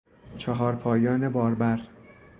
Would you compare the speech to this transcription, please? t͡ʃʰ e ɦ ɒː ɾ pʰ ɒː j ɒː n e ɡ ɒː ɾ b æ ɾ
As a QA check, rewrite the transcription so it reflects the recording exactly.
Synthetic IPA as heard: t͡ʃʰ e ɦ ɒː ɾ pʰ ɒː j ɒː n e b ɒː ɾ b æ ɾ

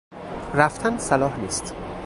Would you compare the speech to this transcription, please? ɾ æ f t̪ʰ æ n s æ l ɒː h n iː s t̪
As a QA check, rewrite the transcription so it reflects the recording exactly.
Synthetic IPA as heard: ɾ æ f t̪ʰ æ n s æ l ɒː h n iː s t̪

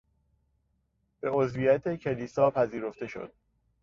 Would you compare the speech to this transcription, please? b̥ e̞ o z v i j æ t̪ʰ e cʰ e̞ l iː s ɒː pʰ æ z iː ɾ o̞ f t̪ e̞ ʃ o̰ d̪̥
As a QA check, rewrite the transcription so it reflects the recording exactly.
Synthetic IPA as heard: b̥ e̞ o z v i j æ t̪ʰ e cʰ e̞ l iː s ɒː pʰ æ z iː ɾ o̞ f t̪ e̞ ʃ o̰ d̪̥

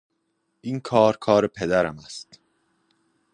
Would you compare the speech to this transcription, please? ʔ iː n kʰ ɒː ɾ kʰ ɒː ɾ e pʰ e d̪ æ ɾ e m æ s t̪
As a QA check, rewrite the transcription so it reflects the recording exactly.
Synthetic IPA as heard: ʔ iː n kʰ ɒː ɾ kʰ ɒː ɾ e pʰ e d̪ æ ɾ æ m æ s t̪

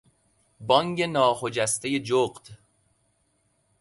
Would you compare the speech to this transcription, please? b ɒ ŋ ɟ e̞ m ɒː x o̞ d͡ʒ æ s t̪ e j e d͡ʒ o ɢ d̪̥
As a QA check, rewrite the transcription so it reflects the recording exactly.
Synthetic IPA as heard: b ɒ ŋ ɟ e̞ n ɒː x o̞ d͡ʒ æ s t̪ e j e d͡ʒ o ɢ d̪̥

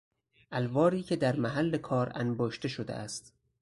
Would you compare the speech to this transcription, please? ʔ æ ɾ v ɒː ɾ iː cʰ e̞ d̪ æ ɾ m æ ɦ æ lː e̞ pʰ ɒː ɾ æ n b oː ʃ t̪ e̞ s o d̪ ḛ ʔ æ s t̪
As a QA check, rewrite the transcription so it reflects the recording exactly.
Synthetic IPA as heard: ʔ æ l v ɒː ɾ iː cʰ e̞ d̪ æ ɾ m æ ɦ æ lː e̞ kʰ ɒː ɾ æ n b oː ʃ t̪ e̞ ʃ o d̪ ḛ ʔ æ s t̪

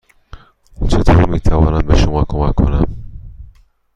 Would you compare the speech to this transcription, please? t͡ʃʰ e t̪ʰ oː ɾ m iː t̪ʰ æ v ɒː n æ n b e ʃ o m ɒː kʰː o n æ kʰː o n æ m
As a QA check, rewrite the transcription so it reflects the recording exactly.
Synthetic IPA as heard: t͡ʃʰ e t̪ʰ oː ɾ m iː t̪ʰ æ v ɒː n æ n b e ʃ o m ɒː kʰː o m æ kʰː o n æ m

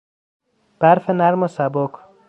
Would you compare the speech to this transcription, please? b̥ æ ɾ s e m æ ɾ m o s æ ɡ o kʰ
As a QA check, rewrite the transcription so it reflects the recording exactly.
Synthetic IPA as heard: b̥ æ ɾ f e n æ ɾ m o s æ b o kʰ

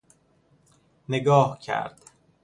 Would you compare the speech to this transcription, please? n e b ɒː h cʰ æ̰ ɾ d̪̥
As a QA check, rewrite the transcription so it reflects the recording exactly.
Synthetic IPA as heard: n e ɡ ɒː h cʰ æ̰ ɾ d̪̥

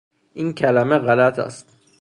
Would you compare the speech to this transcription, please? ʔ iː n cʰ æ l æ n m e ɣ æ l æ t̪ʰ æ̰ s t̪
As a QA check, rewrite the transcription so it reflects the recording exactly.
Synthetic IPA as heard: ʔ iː n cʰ æ l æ m e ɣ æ l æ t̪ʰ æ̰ s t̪

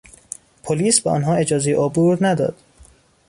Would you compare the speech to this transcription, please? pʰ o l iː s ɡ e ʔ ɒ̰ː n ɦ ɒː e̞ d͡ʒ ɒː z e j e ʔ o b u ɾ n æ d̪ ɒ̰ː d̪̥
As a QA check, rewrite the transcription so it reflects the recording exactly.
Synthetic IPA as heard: pʰ o l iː s b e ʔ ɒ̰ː n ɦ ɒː e̞ d͡ʒ ɒː z e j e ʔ o b u ɾ n æ d̪ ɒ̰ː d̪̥

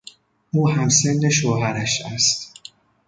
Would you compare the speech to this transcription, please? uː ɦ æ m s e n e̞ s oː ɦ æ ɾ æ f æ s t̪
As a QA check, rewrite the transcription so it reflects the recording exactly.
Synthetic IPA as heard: uː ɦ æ m s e nː e̞ ʃ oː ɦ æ ɾ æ ʃ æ s t̪

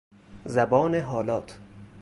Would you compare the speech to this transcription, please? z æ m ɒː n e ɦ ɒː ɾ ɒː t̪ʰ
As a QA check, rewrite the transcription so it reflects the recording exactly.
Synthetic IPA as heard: z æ b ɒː n e ɦ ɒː l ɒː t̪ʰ

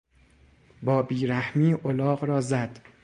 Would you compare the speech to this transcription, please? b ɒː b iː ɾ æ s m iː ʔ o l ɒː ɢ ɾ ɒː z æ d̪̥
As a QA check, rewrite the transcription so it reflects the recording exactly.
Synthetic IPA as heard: b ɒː b iː ɾ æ h m iː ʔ o l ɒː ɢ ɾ ɒː z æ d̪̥

